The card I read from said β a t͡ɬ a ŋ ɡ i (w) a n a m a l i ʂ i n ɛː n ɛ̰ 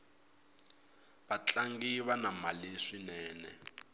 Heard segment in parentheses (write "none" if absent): β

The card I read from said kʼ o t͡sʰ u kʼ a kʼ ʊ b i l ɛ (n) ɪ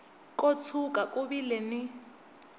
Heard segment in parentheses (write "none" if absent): n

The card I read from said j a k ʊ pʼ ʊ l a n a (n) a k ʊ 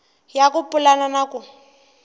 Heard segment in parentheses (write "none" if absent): n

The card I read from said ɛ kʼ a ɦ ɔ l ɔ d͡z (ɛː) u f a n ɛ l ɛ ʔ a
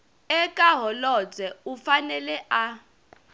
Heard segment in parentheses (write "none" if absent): ɛ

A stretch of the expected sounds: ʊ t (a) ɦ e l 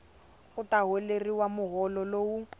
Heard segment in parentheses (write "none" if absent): a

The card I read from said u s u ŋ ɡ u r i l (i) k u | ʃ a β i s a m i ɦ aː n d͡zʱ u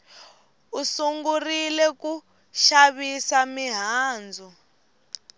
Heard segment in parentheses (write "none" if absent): ɛ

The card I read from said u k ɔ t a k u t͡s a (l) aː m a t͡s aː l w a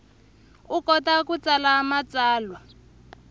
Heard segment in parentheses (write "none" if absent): l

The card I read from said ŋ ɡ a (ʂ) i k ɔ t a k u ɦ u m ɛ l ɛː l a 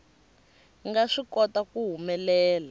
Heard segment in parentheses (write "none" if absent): ʂ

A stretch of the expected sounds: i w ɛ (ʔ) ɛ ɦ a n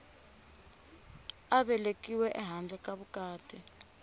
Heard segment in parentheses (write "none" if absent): ʔ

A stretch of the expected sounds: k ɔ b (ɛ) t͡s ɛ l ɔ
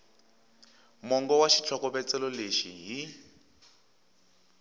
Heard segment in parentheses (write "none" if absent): ɛ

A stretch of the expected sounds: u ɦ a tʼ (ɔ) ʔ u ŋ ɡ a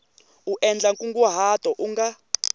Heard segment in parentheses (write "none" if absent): ɔ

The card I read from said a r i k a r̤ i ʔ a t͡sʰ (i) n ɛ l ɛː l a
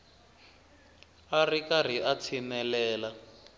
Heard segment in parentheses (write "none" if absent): i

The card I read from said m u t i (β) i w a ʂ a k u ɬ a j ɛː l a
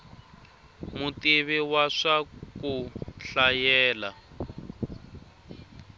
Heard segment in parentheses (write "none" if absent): β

